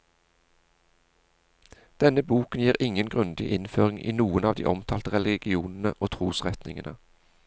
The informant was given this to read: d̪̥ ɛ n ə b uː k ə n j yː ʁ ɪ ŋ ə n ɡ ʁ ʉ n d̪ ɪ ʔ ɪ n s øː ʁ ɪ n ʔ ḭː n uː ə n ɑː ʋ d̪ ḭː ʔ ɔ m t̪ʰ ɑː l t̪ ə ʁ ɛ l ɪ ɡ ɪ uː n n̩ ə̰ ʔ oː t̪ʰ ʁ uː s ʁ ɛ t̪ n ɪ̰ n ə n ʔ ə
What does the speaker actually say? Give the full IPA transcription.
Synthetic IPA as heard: d̪̥ ɛ n ə b uː k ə n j iː ʁ ɪ ŋ ə n ɡ ʁ ʉ n d̪ ɪ ʔ ɪ n f øː ʁ ɪ ŋ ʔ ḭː n uː ə n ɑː ʋ d̪ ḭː ʔ ɔ m t̪ʰ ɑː l t̪ ə ʁ ɛ l ɪ ɡ ɪ uː n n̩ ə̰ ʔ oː t̪ʰ ʁ uː s ʁ ɛ t̪ n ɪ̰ ŋ ə n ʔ ə